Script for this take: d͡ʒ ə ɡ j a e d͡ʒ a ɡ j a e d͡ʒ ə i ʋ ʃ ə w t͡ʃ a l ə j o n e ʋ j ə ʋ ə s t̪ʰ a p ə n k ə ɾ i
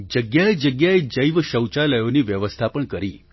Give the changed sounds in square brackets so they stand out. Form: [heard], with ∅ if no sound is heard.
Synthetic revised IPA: d͡ʒ ə ɡ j a e d͡ʒ [ə] ɡ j a e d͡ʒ ə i ʋ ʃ ə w t͡ʃ a l ə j o n [i] ʋ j ə ʋ ə s t̪ʰ a p ə [ɳ] k ə ɾ i